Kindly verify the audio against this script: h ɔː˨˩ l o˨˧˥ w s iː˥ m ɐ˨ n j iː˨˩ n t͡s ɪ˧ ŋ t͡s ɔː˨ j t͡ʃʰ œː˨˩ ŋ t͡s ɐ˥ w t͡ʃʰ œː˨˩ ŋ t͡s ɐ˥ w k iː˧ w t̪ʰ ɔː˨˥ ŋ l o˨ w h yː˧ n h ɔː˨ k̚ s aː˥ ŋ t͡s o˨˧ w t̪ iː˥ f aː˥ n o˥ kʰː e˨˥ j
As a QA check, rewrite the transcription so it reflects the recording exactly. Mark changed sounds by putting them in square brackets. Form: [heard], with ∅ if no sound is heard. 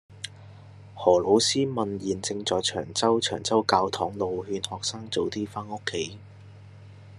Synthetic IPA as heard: h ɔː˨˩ l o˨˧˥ w s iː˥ m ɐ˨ n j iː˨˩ n t͡s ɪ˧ ŋ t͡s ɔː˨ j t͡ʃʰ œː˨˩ ŋ t͡s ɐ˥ w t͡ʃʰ œː˨˩ ŋ t͡s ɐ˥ w k [aː˧] w t̪ʰ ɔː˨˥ ŋ l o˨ w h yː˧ n h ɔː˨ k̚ s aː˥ ŋ t͡s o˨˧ w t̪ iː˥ f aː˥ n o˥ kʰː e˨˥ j